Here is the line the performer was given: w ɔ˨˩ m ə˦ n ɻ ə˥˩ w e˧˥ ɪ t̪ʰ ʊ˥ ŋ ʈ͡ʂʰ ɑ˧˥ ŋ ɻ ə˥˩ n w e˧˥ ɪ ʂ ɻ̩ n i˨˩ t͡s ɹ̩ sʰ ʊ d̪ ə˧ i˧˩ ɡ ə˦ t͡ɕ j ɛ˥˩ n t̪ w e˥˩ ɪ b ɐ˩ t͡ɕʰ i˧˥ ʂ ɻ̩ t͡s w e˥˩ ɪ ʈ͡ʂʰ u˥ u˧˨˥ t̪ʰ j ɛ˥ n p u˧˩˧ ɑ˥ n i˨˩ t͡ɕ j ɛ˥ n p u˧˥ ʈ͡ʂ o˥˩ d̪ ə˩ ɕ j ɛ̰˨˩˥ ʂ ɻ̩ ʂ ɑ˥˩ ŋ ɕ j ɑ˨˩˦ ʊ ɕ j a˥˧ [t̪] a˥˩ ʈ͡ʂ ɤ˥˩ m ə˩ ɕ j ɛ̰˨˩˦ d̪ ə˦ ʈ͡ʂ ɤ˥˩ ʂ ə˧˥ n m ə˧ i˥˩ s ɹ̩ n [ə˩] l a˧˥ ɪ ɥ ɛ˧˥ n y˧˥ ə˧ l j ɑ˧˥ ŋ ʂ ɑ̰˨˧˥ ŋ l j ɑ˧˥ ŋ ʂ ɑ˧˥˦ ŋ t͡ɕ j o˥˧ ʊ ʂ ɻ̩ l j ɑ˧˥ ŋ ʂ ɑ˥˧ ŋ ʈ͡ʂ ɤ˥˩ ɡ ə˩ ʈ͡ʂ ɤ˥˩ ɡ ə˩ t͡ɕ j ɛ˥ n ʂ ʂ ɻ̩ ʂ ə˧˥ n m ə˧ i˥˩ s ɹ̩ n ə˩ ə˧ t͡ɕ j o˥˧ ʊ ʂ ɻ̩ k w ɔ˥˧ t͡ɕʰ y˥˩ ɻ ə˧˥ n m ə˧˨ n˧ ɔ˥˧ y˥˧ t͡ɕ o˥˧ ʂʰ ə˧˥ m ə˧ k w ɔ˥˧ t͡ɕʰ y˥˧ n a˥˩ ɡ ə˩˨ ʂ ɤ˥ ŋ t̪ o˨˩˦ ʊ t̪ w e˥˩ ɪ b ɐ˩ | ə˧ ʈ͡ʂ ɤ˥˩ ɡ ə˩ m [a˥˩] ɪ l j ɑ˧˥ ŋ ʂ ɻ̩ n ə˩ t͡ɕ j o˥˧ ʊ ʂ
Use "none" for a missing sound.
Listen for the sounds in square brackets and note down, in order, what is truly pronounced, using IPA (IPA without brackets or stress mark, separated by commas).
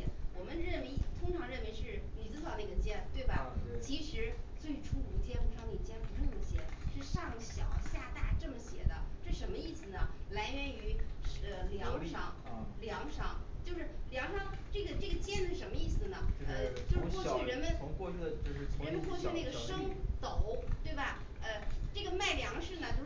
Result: t̪, ə˩, a˥˩